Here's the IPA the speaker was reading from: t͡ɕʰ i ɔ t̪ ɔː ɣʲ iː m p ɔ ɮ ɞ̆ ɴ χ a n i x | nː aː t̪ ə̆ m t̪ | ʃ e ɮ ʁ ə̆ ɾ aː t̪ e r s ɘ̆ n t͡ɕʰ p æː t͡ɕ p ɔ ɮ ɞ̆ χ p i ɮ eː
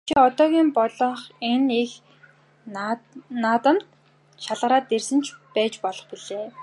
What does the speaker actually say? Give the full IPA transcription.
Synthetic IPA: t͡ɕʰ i ɔ t̪ ɔː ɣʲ iː m p ɔ ɮ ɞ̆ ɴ χ e n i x | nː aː t̪ ə̆ m t̪ | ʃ a ɮ ʁ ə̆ ɾ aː t̪ e r s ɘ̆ n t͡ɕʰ p æː t͡ɕ p ɔ ɮ ɞ̆ χ p i ɮ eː